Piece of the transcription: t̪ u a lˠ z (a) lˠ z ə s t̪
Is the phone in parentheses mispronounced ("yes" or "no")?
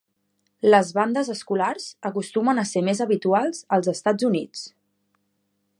yes